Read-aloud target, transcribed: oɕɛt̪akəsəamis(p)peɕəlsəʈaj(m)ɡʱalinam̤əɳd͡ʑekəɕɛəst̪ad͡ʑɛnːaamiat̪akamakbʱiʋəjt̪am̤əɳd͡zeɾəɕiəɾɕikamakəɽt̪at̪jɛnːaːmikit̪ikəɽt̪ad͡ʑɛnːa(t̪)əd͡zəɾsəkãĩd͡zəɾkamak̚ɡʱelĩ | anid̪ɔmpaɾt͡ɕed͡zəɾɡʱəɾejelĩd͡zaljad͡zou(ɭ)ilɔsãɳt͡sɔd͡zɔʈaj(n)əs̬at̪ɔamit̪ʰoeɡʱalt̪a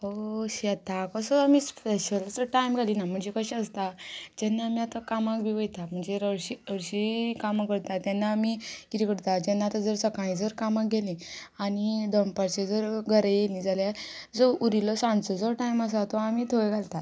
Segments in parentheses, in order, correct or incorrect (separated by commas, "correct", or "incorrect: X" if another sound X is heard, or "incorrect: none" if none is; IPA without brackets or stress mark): correct, correct, correct, incorrect: ɾ, incorrect: m